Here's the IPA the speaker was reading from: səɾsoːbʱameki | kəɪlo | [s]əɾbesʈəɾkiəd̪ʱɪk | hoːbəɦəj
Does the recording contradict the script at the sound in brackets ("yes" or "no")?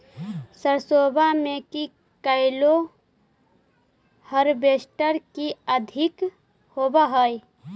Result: yes